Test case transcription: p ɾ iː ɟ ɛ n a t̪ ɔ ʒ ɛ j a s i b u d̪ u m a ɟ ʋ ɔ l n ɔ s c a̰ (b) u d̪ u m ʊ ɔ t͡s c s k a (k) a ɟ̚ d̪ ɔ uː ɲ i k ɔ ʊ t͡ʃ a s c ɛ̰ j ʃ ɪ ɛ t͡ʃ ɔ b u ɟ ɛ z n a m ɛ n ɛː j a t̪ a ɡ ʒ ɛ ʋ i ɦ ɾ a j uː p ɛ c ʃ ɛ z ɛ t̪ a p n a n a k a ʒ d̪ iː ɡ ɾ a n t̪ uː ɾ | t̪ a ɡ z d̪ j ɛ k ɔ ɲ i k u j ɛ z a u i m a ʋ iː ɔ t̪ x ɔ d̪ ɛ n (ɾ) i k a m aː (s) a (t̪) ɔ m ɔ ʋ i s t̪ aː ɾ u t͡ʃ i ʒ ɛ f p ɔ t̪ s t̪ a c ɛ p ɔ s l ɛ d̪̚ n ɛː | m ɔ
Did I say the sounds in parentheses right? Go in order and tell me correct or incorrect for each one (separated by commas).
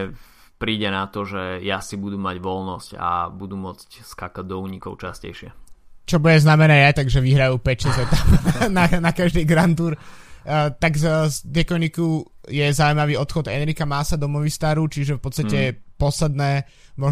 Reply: correct, correct, correct, correct, incorrect